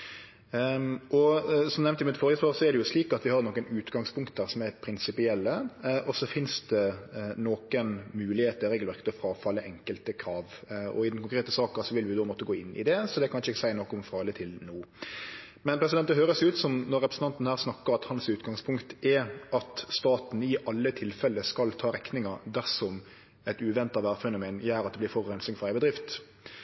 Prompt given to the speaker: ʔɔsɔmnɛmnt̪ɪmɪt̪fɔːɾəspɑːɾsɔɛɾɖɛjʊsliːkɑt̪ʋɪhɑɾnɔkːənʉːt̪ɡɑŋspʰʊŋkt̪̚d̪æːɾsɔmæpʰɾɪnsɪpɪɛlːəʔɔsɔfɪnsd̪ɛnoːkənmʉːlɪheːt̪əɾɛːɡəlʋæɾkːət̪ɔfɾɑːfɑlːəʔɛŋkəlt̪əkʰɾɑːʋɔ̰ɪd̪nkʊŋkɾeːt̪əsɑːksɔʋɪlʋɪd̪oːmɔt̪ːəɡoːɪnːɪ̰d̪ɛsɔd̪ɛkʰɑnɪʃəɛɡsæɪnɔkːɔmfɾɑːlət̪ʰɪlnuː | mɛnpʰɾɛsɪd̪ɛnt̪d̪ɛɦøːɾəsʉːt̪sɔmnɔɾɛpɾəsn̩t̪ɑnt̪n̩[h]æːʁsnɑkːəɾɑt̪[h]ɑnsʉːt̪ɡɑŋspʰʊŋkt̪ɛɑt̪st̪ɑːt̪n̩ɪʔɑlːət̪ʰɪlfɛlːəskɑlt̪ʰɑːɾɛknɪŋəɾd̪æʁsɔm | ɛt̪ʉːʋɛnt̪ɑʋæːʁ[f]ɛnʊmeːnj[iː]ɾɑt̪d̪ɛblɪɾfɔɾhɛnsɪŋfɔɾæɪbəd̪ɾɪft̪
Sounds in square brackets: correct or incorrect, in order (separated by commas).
correct, correct, correct, incorrect